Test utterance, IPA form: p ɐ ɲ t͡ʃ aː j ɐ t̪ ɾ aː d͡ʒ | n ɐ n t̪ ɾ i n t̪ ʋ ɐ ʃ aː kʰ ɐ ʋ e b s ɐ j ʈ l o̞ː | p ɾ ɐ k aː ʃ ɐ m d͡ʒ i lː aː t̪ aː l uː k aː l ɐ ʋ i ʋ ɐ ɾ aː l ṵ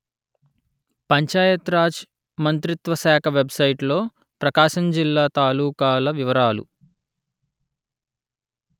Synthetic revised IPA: p ɐ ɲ t͡ʃ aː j ɐ t̪ ɾ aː d͡ʒ | m ɐ n t̪ ɾ i t̪ ʋ ɐ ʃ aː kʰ ɐ ʋ e b s ɐ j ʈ l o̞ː | p ɾ ɐ k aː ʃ ɐ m d͡ʒ i lː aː t̪ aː l uː k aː l ɐ ʋ i ʋ ɐ ɾ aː l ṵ